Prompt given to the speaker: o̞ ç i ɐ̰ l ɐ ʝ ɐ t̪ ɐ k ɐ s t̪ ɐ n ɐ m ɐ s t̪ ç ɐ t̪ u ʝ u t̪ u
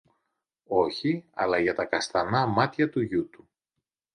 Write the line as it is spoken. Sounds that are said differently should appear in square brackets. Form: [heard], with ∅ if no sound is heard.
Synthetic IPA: o̞ ç i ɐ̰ l ɐ ʝ ɐ t̪ ɐ k ɐ s t̪ ɐ n ɐ m ɐ [∅] t̪ ç ɐ t̪ u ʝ u t̪ u